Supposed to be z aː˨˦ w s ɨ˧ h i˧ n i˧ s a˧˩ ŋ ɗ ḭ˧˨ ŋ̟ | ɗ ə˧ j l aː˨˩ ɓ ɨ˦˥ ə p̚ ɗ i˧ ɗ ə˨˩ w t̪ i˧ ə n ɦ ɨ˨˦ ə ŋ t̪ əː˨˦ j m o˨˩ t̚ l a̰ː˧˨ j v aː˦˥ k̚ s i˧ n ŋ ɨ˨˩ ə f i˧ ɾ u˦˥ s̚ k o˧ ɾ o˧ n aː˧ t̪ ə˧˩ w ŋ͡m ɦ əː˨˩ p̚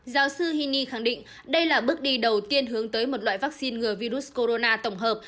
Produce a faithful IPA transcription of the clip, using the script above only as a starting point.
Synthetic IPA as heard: z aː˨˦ w s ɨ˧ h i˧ n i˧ x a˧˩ ŋ ɗ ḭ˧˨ ŋ̟ | ɗ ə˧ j l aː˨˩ ɓ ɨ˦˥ ə k̚ ɗ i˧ ɗ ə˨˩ w t̪ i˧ ə n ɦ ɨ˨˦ ə ŋ t̪ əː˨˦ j m o˨˩ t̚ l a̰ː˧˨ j v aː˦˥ k̚ s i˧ n ŋ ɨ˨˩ ə v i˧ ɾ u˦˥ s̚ k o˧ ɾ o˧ n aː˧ t̪ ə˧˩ w ŋ͡m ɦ əː˨˩ p̚